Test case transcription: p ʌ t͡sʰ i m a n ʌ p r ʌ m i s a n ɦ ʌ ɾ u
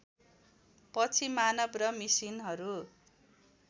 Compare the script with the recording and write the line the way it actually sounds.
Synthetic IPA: p ʌ t͡sʰ i m a n ʌ b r ʌ m i s i n ɦ ʌ ɾ u